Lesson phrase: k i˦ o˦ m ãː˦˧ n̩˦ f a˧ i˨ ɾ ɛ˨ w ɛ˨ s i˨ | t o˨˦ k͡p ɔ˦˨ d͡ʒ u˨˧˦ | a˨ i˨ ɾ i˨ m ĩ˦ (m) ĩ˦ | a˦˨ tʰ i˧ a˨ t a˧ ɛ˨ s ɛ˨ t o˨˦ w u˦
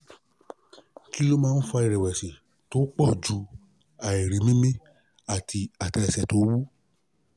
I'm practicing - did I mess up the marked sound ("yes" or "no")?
no